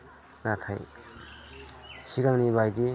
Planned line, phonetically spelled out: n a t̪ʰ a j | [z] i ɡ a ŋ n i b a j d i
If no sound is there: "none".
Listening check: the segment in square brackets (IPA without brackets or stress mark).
s